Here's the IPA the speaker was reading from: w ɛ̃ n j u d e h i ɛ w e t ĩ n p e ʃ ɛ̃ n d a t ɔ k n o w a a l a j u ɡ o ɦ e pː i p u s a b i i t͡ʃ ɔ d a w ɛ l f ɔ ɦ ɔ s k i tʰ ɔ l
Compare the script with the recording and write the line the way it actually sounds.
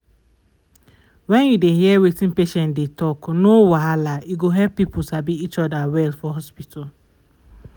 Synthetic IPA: w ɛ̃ n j u d e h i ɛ w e t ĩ n p e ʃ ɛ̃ n d e t ɔ k n o w a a l a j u ɡ o ɦ ɛ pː i p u s a b i i t͡ʃ ɔ d a w ɛ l f ɔ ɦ ɔ s p i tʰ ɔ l